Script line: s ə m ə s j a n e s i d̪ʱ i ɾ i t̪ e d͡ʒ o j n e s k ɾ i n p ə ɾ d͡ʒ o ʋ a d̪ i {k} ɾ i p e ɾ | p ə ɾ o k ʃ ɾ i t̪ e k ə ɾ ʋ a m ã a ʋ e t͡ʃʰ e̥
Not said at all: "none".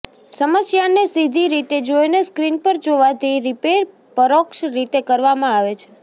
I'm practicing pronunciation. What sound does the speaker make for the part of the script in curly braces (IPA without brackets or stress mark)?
none